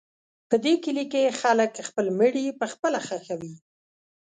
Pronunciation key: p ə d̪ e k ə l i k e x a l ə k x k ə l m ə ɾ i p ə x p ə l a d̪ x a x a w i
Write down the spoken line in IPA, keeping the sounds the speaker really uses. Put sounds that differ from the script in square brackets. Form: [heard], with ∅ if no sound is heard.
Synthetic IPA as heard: p ə d̪ e k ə l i k e x a l ə k x [p] ə l m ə [ɽ] i p ə x p ə l a [∅] x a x a w i